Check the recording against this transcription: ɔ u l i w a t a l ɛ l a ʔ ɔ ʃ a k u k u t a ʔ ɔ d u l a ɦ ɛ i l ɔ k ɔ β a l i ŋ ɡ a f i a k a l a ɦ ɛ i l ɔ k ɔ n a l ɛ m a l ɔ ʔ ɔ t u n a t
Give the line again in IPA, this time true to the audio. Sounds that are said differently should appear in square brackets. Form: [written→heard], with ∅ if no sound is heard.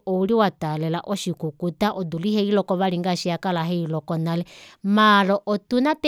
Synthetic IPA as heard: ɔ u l i w a t a l ɛ l a ʔ ɔ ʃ [a→i] k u k u t a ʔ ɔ d u l [a→i] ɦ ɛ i l ɔ k ɔ β a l i ŋ ɡ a [f→ʃ] i a k a l a ɦ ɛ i l ɔ k ɔ n a l ɛ m a l ɔ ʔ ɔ t u n a t